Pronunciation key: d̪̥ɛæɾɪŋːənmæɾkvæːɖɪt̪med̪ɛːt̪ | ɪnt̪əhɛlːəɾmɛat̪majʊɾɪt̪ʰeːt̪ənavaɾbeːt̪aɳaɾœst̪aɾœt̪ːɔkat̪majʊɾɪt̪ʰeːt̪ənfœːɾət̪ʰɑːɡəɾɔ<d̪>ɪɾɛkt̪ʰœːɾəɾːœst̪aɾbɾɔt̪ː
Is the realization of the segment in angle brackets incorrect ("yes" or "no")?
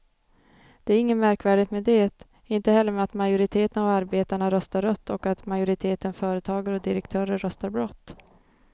no